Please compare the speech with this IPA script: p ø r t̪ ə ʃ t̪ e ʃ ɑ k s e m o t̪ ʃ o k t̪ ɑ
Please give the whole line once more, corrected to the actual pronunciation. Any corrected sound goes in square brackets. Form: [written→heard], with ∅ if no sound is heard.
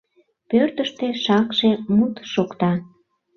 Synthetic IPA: p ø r t̪ ə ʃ t̪ e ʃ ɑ k [s→ʃ] e m [o→u] t̪ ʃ o k t̪ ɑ